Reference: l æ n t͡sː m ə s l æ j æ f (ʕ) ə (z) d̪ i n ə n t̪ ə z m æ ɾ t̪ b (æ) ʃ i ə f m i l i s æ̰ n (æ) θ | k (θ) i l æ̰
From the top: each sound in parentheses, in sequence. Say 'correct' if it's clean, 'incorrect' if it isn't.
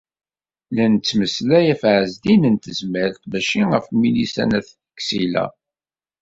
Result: correct, correct, correct, correct, incorrect: s

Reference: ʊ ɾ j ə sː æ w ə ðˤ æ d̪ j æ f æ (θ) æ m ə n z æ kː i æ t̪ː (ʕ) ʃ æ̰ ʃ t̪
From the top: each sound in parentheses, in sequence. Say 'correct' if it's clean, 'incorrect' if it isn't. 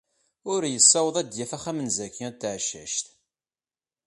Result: incorrect: χ, correct

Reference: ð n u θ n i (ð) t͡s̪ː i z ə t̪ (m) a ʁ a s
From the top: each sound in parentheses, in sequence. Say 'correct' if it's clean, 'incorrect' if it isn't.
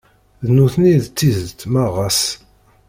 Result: correct, correct

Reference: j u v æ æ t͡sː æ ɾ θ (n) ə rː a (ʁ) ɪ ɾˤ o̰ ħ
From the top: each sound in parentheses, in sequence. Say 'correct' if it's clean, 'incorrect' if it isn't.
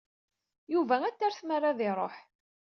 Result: incorrect: m, incorrect: ð

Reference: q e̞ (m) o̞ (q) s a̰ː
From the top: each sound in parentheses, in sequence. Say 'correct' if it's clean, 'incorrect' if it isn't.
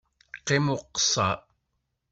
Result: correct, correct

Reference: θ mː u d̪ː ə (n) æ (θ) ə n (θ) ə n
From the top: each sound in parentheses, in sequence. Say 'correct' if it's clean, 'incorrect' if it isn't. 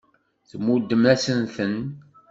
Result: incorrect: m, incorrect: s, correct

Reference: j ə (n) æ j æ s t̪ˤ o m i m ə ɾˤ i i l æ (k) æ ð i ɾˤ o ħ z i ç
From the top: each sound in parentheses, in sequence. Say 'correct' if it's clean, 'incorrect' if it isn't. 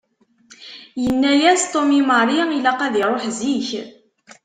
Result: incorrect: nː, incorrect: q

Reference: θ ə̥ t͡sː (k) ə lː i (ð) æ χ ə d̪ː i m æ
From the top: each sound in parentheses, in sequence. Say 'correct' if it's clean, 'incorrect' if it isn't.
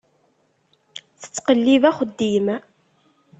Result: incorrect: q, incorrect: v

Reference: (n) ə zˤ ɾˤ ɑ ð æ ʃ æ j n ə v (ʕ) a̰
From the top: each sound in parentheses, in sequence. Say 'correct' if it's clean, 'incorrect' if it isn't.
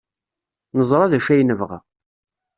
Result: correct, incorrect: ʁ

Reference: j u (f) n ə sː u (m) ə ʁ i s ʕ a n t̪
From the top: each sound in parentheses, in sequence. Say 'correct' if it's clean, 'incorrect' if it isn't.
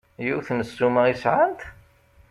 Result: incorrect: θ, correct

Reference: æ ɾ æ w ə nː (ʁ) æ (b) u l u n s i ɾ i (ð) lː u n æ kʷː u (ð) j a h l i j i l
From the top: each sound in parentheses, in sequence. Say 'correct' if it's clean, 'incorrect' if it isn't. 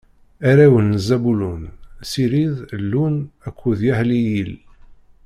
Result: incorrect: z, correct, correct, correct

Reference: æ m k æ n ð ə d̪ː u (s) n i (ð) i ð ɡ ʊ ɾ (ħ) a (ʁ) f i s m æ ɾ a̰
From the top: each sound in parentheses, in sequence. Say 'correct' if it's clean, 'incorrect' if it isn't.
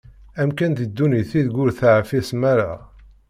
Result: incorrect: none, incorrect: θ, incorrect: θ, incorrect: ʕ

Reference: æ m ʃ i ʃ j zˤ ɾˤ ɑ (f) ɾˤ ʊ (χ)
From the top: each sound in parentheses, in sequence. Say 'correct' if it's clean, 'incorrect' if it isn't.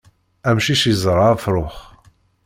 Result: correct, correct

